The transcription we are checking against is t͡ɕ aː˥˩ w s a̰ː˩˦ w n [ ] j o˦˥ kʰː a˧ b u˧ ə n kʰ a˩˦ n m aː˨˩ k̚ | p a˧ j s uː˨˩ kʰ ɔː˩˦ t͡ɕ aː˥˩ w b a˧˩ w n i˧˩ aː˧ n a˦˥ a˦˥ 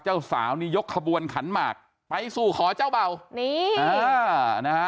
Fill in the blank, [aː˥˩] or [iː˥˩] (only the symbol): iː˥˩